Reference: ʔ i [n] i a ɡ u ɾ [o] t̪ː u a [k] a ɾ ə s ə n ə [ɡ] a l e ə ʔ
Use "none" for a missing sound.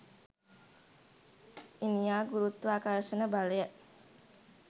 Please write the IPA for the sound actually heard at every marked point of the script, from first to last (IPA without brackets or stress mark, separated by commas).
n, u, k, b